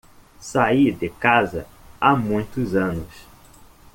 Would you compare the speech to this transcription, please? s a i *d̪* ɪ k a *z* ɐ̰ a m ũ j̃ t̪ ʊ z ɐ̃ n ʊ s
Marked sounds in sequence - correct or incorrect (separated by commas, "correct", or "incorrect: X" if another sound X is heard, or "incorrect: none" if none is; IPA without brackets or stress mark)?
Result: correct, correct